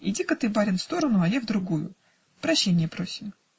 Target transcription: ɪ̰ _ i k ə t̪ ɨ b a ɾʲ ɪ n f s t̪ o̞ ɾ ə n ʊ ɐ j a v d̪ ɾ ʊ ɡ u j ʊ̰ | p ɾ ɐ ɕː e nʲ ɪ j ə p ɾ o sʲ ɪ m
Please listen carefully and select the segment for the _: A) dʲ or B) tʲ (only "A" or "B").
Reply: A